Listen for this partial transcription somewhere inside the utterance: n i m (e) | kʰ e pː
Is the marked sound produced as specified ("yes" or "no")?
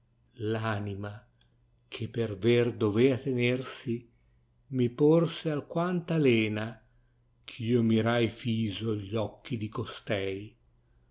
no